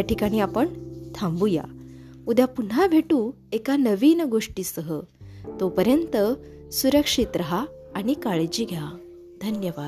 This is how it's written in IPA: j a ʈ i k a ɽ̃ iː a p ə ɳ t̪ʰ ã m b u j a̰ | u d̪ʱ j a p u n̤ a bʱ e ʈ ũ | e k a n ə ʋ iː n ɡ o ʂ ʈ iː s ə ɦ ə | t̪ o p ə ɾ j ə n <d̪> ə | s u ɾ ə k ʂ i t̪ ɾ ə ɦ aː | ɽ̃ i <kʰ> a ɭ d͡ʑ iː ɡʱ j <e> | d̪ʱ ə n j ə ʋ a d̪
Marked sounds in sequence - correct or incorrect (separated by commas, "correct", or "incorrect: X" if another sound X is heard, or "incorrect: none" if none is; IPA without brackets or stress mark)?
incorrect: t̪, incorrect: k, incorrect: a